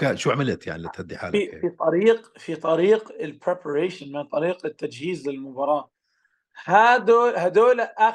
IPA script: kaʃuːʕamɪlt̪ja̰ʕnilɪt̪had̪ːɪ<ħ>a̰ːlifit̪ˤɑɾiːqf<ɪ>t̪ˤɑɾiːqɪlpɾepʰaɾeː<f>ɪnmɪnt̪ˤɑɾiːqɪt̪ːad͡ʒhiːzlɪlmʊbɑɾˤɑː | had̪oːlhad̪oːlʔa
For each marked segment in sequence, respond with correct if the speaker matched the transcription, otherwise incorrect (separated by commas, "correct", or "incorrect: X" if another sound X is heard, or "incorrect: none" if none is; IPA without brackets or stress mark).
correct, incorrect: i, incorrect: ʃ